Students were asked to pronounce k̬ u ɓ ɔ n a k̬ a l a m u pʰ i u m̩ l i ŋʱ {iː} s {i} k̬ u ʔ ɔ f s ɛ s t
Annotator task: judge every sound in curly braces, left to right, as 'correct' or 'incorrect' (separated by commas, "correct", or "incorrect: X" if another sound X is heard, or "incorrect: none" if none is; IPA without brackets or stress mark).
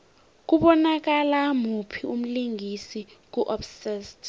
incorrect: i, correct